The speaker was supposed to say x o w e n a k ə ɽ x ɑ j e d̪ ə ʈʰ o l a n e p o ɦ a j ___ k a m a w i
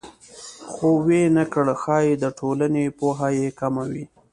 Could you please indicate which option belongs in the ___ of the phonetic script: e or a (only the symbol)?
e